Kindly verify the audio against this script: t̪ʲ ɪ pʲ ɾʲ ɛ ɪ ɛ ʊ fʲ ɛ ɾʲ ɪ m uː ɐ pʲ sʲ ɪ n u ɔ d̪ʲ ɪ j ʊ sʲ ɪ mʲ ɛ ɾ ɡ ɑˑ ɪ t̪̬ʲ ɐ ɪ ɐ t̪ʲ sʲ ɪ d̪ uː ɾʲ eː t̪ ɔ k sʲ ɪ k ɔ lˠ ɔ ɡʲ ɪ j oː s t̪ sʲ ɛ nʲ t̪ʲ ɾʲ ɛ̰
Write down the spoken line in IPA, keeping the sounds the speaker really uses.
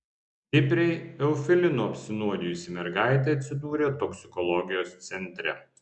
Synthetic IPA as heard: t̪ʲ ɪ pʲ ɾʲ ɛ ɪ ɛ ʊ fʲ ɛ lʲ ɪ n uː ɐ pʲ sʲ ɪ n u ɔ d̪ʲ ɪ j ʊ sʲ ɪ mʲ ɛ ɾ ɡ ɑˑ ɪ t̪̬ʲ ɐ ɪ ɐ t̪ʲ sʲ ɪ d̪ uː ɾʲ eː t̪ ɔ k sʲ ɪ k ɔ lˠ ɔ ɡʲ ɪ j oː s t̪ sʲ ɛ nʲ t̪ʲ ɾʲ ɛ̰